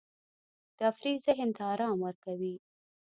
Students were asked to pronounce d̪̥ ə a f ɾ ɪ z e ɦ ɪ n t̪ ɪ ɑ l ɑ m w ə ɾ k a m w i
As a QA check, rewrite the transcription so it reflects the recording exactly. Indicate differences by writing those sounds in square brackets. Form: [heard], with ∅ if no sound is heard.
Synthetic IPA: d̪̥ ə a f ɾ [i] z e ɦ ɪ n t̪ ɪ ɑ [ɾ] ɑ m w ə ɾ k a [∅] w i